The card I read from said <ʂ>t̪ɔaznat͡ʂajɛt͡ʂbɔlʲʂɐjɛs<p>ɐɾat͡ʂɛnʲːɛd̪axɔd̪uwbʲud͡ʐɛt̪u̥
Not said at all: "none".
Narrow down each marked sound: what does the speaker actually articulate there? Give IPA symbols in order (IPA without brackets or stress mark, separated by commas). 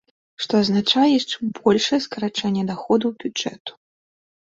ʂ, k